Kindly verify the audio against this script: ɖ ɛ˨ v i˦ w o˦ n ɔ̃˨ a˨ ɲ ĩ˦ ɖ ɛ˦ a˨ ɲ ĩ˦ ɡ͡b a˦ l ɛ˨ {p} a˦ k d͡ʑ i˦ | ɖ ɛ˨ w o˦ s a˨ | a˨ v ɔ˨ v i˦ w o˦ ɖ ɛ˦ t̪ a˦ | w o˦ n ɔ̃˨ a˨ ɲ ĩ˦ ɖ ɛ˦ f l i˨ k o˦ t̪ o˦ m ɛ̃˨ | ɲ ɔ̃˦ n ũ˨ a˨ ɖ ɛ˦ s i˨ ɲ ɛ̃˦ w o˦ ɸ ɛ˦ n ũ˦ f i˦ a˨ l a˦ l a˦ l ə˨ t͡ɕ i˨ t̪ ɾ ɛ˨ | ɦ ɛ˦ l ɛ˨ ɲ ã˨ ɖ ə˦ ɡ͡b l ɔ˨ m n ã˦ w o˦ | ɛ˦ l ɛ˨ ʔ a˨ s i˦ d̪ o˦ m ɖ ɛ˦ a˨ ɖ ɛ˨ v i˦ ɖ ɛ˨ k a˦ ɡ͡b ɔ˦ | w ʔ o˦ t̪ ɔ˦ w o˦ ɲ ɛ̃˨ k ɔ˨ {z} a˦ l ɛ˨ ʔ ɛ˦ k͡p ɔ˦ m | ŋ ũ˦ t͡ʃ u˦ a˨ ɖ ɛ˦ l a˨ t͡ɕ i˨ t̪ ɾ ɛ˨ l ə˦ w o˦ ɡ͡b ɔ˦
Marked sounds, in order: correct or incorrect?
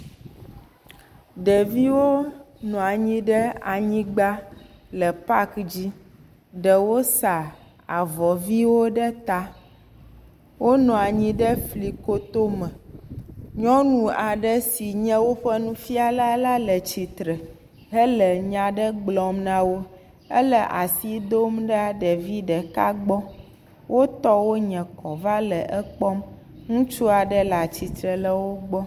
correct, incorrect: v

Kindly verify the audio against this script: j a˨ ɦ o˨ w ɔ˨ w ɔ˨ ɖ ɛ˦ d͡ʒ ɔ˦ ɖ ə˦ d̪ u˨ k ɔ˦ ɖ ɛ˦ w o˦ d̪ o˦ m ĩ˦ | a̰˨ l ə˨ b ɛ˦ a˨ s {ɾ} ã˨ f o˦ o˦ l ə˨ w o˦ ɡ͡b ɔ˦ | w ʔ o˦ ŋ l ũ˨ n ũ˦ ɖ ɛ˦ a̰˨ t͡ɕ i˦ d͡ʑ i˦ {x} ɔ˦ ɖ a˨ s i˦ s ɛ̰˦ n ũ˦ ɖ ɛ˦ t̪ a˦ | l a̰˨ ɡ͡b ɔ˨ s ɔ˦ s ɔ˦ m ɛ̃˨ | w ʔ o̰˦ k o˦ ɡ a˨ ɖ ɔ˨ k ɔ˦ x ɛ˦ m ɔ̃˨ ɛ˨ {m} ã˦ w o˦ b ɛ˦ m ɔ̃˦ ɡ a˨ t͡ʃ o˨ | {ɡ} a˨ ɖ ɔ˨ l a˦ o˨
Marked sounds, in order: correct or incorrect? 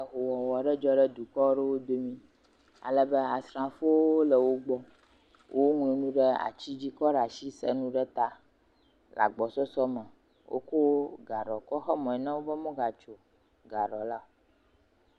correct, incorrect: k, incorrect: n, correct

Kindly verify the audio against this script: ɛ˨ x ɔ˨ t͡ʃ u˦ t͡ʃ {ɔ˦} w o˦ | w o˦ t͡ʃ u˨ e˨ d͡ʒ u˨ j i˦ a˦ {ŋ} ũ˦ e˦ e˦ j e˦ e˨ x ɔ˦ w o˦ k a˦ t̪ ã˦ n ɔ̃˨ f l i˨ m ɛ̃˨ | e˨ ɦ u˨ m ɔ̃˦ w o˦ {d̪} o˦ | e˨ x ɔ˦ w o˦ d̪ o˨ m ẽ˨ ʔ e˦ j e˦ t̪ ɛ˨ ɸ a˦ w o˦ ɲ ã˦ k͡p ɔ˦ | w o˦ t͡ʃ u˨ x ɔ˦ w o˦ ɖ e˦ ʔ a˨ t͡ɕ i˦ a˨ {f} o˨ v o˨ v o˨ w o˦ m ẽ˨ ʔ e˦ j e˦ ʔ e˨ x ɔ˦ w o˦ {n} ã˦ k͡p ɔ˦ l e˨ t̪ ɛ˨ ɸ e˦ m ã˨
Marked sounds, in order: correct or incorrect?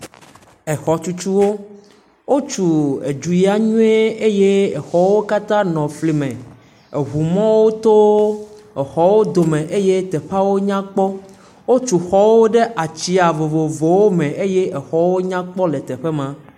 incorrect: u˦, incorrect: ɲ, incorrect: t̪, incorrect: v, incorrect: ɲ

